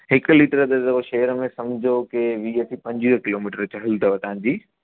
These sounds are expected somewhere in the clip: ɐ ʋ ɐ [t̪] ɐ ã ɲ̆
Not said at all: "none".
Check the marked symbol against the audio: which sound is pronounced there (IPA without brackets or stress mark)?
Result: t̪